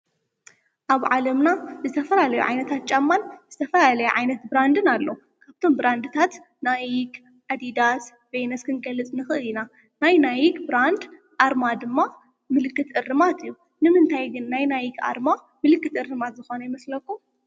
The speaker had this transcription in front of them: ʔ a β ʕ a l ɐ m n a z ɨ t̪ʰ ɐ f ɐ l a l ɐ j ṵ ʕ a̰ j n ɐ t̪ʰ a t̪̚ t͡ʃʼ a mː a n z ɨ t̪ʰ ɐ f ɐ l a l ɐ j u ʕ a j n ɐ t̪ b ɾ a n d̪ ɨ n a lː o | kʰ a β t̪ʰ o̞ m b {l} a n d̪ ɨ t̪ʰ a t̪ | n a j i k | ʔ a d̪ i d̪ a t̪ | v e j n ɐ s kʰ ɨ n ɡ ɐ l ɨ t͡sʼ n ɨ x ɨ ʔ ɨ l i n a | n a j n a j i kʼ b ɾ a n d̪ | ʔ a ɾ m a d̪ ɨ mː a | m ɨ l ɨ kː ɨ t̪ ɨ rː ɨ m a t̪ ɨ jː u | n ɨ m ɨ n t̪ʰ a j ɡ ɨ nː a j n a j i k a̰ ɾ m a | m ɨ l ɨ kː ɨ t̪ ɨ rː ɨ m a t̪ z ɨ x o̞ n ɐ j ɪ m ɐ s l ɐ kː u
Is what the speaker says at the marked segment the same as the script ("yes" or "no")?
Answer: no